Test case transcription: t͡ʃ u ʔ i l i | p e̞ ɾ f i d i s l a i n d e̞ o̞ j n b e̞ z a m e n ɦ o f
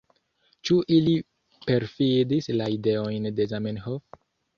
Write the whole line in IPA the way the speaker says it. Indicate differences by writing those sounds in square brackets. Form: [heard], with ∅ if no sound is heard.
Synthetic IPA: t͡ʃ u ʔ i l i | p e̞ ɾ f i d i s l a i [∅] d e̞ o̞ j n [d] e̞ z a m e n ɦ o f